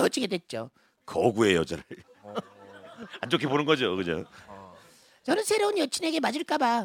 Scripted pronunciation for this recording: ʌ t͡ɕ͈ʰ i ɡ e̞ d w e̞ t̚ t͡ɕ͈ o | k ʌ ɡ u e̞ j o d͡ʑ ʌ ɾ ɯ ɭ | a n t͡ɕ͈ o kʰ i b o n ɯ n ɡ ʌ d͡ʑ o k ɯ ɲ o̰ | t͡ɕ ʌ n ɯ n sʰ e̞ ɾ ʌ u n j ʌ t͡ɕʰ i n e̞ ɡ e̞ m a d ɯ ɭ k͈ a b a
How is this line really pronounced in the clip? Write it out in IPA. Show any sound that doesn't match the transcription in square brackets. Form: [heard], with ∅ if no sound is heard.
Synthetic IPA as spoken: ʌ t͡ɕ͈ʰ i ɡ e̞ d w e̞ t̚ t͡ɕ͈ o | k ʌ ɡ u e̞ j o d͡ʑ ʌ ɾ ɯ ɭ | a n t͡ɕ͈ o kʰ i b o n ɯ n ɡ ʌ d͡ʑ o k ɯ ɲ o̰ | t͡ɕ ʌ n ɯ n sʰ e̞ ɾ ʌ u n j ʌ t͡ɕʰ i n e̞ ɡ e̞ m a [d͡ʑ] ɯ ɭ k͈ a b a